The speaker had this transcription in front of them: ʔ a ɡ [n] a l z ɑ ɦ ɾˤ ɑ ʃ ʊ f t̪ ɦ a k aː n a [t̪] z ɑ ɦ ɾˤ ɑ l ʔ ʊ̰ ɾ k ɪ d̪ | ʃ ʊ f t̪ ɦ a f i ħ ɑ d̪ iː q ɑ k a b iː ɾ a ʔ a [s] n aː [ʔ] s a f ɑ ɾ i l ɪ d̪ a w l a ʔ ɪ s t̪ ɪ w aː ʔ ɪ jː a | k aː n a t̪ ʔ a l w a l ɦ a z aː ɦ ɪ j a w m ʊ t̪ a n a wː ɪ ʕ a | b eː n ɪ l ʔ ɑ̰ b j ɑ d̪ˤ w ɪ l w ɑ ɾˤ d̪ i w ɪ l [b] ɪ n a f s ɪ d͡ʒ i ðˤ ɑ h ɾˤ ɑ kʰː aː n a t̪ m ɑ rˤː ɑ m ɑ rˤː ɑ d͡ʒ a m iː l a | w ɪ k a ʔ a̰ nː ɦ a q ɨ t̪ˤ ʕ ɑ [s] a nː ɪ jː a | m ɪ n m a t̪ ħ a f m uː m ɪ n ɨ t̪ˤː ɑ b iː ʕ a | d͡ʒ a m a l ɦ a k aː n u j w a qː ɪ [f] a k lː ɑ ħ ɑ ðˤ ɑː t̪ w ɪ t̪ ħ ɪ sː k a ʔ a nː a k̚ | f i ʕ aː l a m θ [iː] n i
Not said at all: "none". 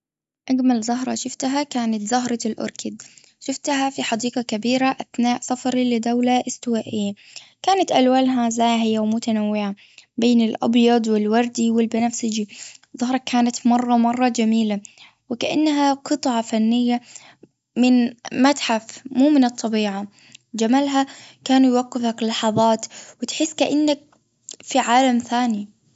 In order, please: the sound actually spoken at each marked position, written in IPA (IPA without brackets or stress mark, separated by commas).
m, t̪, θ, ʔ, b, f, f, aː